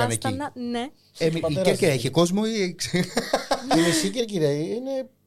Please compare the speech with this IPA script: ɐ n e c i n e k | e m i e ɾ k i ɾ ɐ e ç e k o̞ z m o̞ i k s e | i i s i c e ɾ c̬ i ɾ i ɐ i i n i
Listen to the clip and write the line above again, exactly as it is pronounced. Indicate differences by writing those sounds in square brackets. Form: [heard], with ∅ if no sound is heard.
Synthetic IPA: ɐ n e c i n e [∅] | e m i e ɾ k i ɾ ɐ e ç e k o̞ z m o̞ i k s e | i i s i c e ɾ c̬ i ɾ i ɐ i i n [e]